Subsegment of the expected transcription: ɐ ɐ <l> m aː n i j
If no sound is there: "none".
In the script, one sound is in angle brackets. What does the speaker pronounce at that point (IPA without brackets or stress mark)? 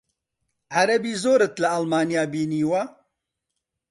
l